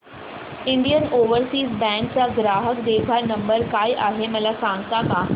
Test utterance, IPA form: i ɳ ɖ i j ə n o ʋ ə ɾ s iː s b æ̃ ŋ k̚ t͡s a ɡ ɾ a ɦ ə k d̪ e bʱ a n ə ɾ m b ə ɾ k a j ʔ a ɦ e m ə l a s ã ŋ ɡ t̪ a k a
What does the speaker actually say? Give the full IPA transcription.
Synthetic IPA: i ɳ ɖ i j ə n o ʋ ə ɾ s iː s b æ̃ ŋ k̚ t͡s a ɡ ɾ a ɦ ə k d̪ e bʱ a n ə m b ə ɾ k a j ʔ a ɦ e m ə l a s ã ŋ ɡ t̪ a k a